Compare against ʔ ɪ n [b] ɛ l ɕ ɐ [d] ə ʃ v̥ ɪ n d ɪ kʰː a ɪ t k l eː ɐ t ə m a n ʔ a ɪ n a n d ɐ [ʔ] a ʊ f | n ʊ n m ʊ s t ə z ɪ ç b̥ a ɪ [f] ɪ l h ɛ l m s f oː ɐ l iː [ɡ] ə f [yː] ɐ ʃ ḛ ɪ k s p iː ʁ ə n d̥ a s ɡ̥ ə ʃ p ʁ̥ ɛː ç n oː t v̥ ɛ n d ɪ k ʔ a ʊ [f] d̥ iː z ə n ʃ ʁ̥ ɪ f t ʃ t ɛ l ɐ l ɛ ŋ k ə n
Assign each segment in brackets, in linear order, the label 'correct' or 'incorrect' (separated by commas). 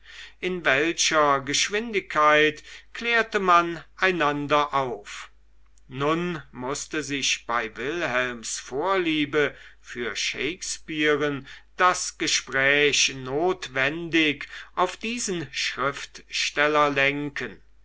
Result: incorrect, incorrect, correct, incorrect, incorrect, correct, correct